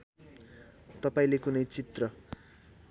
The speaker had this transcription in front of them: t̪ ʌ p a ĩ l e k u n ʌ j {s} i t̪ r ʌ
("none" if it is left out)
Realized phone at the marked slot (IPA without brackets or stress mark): t͡s